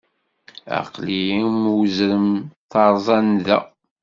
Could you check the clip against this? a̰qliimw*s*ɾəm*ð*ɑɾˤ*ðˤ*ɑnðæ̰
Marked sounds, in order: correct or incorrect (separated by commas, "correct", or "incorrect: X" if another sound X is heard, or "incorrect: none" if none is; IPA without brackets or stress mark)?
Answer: incorrect: z, incorrect: θ, incorrect: zˤ